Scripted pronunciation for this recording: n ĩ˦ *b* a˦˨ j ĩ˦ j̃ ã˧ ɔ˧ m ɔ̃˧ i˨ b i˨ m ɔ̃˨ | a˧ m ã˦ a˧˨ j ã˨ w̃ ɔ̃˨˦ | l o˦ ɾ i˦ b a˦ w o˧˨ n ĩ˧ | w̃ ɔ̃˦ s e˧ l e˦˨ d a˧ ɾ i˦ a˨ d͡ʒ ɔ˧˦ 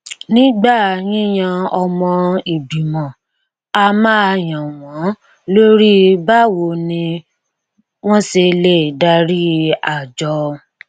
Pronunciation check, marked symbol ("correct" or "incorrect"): incorrect